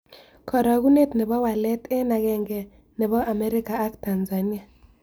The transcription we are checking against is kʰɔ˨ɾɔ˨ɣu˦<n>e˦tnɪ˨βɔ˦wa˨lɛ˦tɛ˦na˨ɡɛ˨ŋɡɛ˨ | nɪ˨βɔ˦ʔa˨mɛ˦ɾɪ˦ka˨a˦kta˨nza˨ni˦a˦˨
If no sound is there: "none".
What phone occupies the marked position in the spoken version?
n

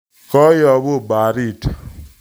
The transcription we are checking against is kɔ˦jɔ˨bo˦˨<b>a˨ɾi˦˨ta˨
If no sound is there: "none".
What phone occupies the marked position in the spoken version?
b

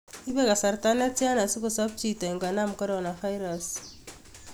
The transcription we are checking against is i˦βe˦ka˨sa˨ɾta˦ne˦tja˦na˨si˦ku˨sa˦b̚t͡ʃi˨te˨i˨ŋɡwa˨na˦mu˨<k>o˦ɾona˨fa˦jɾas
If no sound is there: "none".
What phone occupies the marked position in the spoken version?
k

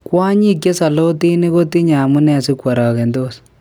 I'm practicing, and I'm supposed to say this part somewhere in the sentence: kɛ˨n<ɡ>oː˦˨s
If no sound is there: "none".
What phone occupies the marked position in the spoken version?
d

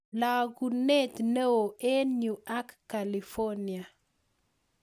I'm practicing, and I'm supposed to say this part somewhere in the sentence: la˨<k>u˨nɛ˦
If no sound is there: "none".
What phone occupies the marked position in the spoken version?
ɡ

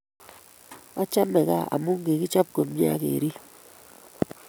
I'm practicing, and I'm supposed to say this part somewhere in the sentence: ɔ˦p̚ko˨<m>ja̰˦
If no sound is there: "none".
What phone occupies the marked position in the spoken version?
m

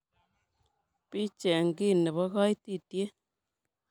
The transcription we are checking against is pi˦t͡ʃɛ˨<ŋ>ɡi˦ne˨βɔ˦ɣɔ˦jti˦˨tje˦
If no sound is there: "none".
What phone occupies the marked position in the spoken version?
ŋ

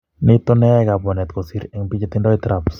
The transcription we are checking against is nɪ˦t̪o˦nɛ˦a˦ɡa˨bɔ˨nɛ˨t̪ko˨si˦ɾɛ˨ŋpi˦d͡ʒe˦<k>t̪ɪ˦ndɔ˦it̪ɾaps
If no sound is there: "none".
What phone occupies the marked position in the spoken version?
none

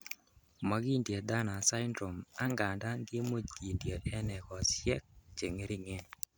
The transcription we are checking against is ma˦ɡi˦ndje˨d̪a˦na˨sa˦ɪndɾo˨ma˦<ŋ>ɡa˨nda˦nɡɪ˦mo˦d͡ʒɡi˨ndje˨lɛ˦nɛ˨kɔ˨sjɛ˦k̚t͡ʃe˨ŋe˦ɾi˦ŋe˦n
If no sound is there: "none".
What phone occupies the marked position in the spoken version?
ŋ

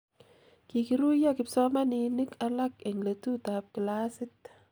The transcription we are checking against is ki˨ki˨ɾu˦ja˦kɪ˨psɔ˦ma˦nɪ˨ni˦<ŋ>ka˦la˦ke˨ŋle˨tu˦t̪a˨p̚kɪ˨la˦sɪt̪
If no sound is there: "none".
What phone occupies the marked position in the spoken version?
none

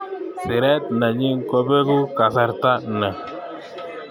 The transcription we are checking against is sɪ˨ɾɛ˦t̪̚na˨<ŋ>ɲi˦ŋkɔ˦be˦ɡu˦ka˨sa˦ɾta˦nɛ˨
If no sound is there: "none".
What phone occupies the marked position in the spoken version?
none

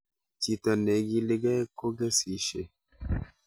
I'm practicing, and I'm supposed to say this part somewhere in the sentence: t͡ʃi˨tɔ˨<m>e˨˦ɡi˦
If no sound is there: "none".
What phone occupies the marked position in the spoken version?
n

